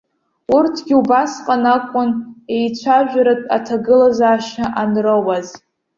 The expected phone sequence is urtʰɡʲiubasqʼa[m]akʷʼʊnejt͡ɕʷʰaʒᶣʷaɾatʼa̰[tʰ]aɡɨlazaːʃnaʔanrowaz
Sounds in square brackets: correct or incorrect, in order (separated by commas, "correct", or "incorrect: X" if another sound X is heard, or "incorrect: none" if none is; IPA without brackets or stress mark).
incorrect: n, correct